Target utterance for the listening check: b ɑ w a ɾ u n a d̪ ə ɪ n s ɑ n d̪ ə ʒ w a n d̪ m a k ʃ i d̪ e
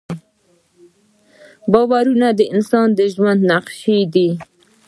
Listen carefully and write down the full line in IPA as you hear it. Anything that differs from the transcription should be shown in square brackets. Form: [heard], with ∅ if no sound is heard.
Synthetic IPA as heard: b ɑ w a ɾ u n a d̪ ə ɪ n s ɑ n d̪ ə ʒ w a n d̪ [n] a [q] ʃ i d̪ [i]